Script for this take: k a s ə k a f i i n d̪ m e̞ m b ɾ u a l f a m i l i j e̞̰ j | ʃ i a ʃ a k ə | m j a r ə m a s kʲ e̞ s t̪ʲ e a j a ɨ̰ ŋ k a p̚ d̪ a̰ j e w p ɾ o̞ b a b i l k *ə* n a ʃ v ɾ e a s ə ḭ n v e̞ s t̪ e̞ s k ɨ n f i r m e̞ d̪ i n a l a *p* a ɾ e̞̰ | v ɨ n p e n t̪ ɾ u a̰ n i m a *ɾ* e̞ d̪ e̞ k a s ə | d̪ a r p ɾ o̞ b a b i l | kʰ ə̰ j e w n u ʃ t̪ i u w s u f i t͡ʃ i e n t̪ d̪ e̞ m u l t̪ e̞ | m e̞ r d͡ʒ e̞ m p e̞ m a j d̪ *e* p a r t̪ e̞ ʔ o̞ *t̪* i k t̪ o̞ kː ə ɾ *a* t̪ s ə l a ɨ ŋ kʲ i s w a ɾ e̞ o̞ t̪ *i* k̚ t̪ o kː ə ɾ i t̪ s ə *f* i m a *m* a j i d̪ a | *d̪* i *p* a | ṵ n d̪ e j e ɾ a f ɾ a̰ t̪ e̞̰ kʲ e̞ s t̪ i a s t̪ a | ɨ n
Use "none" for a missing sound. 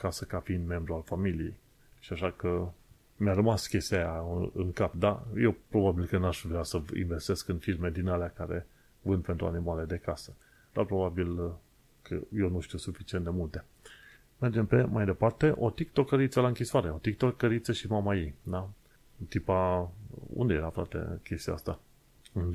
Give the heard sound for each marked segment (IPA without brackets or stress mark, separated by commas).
ə, k, l, e, t̪, i, i, ʃ, m, t̪, p